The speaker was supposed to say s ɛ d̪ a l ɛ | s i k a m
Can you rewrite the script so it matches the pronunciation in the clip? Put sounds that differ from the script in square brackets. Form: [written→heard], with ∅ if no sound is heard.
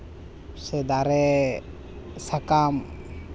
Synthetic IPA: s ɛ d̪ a [l→ɾ] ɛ | s [i→a] k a m